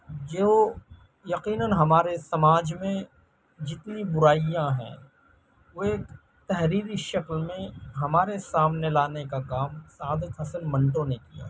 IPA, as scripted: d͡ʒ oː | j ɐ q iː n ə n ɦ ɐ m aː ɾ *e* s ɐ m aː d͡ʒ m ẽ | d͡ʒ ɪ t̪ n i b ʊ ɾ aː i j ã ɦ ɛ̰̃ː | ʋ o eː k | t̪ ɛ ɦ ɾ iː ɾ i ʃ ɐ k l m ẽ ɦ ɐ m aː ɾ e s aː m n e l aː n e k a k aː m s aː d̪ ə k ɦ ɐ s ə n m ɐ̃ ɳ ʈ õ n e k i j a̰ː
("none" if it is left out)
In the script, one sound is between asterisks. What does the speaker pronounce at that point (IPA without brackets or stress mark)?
e